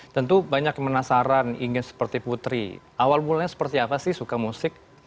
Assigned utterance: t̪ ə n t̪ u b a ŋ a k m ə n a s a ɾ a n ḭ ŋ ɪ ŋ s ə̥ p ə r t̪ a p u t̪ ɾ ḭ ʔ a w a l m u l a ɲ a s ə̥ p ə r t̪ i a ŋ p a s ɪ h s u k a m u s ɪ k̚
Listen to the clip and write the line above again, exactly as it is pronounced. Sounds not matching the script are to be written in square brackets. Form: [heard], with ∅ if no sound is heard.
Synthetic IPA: t̪ ə n t̪ u b a [ɲ] a k m ə n a s a ɾ a n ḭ ŋ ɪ [n] s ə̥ p ə r t̪ [i] p u t̪ ɾ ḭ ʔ a w a l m u l a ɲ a s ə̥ p ə r t̪ i a [∅] p a s ɪ h s u k a m u s ɪ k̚

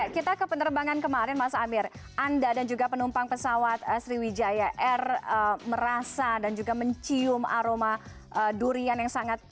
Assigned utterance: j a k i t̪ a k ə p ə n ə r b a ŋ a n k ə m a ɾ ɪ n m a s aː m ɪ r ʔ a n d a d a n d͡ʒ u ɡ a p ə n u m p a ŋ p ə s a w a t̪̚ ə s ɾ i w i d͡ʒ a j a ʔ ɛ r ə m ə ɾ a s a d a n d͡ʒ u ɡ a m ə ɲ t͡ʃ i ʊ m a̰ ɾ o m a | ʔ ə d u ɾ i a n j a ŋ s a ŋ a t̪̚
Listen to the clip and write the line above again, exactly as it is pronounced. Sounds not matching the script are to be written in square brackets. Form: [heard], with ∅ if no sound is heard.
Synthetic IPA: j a k i t̪ a k ə p ə n ə r b a ŋ a n k ə m a ɾ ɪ n m a s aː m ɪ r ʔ a n d a d a n d͡ʒ u ɡ a p ə n u m p a ŋ p ə s a w a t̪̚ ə s ɾ i w i d͡ʒ a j a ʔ ɛ r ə m ə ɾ a s a d a n d͡ʒ u ɡ a m ə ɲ t͡ʃ i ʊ m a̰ ɾ o m a | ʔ ə d u ɾ i a n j a ŋ s a ŋ a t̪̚

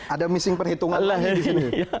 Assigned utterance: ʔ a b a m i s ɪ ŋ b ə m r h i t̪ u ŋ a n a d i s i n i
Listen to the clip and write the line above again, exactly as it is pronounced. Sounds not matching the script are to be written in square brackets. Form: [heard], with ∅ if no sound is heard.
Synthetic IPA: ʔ a [d] a m i s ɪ ŋ [p] ə [∅] r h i t̪ u ŋ a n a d i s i n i

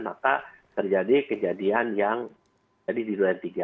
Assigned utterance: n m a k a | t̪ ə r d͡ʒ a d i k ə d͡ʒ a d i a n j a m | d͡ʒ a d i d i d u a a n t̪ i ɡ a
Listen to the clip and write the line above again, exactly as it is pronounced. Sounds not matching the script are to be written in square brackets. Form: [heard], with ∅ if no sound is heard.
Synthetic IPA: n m a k a | t̪ ə r d͡ʒ a d i k ə d͡ʒ a d i a n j a [ŋ] | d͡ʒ a d i d i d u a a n t̪ i ɡ a

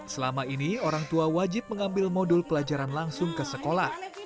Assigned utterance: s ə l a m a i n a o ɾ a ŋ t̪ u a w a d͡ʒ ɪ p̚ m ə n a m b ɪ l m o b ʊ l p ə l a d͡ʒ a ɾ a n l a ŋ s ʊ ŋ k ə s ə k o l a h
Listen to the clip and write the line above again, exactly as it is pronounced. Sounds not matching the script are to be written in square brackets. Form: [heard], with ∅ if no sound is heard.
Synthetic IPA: s ə l a m a i n [i] o ɾ a ŋ t̪ u a w a d͡ʒ ɪ p̚ m ə [ŋ] a m b ɪ l m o [d] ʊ l p ə l a d͡ʒ a ɾ a n l a ŋ s ʊ ŋ k ə s ə k o l a h

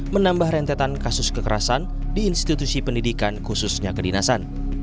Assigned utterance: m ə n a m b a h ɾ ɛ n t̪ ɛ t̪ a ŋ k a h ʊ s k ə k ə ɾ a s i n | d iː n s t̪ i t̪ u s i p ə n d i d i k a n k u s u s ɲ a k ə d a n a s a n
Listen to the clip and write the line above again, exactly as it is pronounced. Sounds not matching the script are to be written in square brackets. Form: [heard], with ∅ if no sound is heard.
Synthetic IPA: m ə n a m b a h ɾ ɛ n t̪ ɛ t̪ a [n] k a [s] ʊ s k ə k ə ɾ a s [a] n | d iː n s t̪ i t̪ u s i p ə n d i d i k a n k u s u s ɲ a k ə d [i] n a s a n

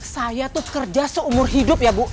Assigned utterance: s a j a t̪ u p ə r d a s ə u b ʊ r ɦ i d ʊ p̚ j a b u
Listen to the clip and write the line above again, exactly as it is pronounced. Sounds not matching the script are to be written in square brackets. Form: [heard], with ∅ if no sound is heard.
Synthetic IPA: s a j a t̪ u [k] ə r [d͡ʒ] a s ə u [m] ʊ r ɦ i d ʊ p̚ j a b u

